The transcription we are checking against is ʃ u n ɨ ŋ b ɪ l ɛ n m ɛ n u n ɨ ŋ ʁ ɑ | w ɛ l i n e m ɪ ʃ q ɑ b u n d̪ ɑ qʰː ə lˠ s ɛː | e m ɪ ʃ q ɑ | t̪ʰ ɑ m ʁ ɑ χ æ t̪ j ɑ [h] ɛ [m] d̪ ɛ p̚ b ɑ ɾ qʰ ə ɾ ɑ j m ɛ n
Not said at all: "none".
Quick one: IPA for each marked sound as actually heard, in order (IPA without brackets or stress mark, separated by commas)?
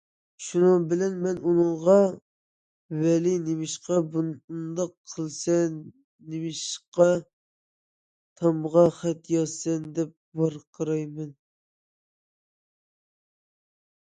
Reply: s, n